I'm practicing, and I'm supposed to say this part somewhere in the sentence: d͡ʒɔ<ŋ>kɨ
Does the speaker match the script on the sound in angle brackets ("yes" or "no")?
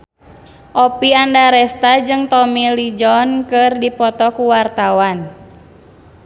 no